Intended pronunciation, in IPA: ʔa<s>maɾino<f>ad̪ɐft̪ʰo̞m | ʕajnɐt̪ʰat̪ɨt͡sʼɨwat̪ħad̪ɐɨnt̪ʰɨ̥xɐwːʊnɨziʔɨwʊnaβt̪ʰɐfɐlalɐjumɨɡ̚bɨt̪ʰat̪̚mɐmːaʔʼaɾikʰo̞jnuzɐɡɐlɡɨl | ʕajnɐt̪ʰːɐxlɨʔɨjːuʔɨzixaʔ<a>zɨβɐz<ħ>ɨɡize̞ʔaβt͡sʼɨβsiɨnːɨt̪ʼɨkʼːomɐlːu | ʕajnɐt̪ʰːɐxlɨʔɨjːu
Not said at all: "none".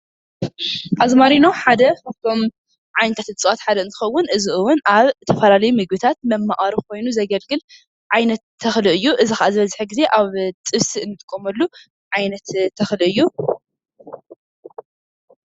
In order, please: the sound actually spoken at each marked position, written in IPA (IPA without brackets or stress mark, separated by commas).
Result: z, ħ, a, ħ